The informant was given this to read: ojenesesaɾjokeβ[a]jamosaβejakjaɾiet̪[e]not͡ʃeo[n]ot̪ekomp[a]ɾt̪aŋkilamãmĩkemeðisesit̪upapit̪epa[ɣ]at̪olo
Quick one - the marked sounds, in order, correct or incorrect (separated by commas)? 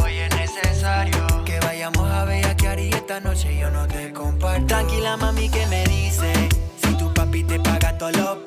correct, incorrect, correct, correct, correct